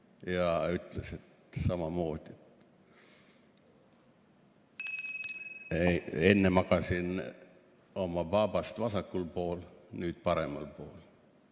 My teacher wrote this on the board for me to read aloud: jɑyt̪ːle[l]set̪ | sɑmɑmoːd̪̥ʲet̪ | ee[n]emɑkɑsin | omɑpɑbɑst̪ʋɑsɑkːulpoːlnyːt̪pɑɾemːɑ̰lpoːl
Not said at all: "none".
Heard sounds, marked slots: none, nː

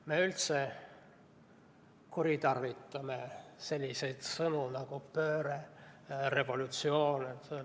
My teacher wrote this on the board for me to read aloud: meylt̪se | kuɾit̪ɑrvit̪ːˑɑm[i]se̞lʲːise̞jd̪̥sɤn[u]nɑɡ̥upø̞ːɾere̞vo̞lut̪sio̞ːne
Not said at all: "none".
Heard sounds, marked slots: e, u

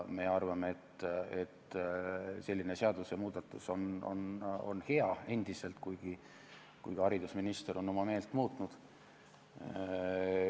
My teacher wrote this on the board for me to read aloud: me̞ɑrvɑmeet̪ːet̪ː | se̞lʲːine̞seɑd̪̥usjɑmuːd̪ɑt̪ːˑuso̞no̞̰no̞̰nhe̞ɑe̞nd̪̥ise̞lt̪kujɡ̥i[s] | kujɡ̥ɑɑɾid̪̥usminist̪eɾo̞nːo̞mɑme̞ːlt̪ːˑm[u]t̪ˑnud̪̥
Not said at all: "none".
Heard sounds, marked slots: none, uː

